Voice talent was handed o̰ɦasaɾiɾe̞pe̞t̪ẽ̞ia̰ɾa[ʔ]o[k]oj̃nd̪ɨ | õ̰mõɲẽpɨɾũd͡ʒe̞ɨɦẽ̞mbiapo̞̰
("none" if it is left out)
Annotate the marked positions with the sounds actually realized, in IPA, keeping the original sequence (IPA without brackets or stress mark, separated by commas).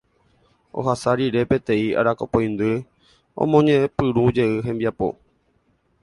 k, p